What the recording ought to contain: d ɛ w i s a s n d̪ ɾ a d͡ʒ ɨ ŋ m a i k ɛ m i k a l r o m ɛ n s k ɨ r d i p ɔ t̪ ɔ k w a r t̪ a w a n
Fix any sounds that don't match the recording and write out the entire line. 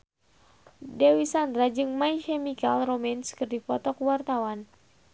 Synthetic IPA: d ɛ w i s a n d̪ ɾ a d͡ʒ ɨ ŋ m a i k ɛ m i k a l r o m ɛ n s k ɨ r d i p ɔ t̪ ɔ k w a r t̪ a w a n